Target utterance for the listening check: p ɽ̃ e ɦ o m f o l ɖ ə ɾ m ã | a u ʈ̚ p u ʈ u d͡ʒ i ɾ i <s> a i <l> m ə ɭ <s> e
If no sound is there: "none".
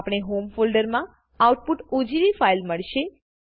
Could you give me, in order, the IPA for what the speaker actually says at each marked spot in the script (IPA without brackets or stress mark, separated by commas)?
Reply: f, l, ʃ